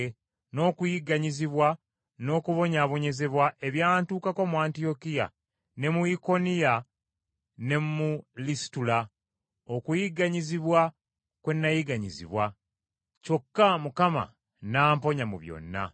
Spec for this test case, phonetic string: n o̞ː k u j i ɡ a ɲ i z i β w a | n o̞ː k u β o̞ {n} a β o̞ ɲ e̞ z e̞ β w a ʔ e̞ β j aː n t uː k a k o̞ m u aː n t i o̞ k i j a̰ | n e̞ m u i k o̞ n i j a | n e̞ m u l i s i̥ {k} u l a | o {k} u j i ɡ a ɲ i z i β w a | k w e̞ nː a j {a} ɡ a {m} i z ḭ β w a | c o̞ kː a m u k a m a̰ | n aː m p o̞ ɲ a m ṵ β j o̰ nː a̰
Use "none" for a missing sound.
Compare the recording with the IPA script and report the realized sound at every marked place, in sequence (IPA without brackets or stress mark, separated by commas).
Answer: ɲ, t, k, i, ɲ